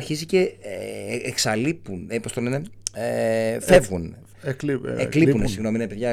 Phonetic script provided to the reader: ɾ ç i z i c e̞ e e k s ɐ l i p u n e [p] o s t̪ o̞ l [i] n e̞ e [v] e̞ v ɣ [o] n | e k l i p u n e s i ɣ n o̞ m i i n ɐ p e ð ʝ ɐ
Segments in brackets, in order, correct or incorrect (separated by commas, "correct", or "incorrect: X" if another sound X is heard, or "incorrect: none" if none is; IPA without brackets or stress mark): correct, incorrect: e, incorrect: f, incorrect: u